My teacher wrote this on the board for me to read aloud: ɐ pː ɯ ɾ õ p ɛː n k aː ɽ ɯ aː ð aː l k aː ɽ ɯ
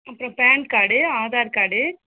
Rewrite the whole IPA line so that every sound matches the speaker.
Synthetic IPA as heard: ɐ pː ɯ ɾ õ p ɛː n k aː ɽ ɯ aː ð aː ɾ k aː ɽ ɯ